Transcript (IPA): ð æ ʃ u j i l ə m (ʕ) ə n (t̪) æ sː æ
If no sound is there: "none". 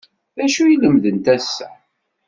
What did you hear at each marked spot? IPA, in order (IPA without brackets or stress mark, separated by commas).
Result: ð, t̪